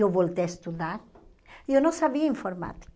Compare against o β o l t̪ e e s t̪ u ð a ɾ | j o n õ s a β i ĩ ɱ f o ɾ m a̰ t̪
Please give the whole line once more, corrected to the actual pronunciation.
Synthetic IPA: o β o l t̪ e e s t̪ u ð a ɾ | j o n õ s a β i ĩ ɱ f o ɾ m a̰ t̪